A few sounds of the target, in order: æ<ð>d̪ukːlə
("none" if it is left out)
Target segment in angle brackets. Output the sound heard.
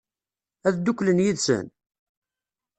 ð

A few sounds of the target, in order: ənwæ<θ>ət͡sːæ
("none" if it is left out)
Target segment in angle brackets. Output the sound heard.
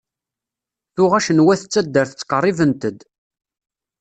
θ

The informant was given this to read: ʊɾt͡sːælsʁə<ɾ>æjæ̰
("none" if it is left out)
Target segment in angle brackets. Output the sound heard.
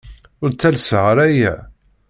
ɾ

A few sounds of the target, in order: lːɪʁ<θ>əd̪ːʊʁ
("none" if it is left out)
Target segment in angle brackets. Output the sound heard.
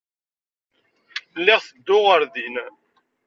θ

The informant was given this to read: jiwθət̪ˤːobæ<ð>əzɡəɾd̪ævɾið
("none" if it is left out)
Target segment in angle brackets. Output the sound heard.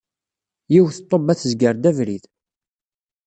θ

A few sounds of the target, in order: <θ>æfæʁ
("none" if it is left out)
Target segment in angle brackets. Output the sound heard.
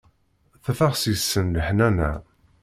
θ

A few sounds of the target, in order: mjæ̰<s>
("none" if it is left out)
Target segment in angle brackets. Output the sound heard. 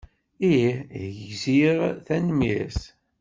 s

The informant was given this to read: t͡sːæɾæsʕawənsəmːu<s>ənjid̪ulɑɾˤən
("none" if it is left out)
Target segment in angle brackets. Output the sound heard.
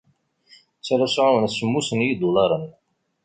s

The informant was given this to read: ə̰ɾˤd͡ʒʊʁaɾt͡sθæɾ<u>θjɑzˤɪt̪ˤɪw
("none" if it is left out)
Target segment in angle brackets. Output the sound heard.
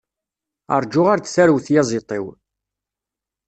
w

